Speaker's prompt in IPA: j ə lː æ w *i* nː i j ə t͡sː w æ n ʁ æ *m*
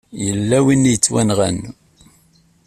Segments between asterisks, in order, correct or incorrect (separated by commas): correct, incorrect